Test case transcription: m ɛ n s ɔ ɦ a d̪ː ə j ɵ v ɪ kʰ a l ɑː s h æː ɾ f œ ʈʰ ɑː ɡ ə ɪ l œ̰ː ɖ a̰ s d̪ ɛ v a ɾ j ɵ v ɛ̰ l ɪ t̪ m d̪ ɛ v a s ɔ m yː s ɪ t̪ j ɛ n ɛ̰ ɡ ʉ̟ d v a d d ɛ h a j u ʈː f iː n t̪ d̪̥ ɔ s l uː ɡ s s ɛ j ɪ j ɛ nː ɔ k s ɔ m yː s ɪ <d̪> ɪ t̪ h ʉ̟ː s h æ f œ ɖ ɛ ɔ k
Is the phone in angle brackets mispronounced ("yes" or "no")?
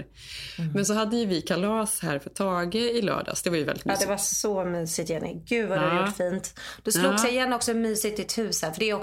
yes